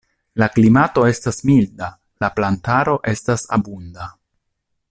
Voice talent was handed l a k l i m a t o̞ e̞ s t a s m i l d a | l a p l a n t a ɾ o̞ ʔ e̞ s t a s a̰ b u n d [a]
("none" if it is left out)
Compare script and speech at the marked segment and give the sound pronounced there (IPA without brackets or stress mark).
a